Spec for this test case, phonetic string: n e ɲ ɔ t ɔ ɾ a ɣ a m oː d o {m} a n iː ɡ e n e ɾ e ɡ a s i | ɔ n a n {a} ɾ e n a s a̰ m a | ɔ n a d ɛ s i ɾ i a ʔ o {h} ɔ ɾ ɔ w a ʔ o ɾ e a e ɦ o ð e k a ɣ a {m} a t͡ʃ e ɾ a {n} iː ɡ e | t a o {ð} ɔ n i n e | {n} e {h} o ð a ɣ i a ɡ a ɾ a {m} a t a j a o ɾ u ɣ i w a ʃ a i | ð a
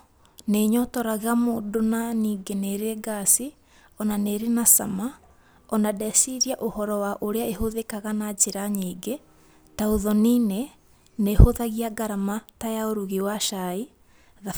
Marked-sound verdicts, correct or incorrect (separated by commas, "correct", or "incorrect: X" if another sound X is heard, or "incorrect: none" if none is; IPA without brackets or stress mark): incorrect: n, incorrect: e, correct, incorrect: n, incorrect: ɲ, correct, correct, correct, correct